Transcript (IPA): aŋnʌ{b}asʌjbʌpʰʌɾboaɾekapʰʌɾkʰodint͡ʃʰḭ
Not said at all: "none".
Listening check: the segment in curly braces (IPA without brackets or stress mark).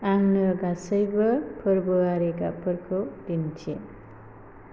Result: ɡ